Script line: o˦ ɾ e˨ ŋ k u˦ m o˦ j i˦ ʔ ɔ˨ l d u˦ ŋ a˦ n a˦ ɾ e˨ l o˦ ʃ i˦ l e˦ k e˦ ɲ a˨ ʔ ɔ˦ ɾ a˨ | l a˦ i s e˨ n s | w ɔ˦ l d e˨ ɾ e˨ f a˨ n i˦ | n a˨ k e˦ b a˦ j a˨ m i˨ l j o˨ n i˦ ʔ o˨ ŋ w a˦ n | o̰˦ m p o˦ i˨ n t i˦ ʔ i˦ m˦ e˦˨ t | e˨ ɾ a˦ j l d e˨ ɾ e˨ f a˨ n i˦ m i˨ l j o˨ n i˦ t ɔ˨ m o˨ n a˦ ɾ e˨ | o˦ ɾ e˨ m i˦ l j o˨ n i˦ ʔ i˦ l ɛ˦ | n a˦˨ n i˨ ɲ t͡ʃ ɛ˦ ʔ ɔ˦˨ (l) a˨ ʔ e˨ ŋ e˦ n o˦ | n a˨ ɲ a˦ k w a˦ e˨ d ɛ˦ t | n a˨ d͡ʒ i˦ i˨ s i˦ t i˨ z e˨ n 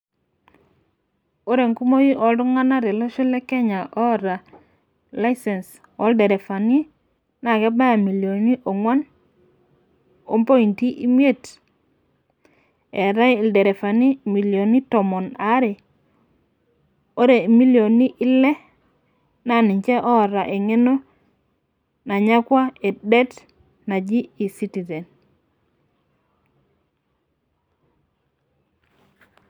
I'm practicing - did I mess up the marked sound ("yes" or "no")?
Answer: yes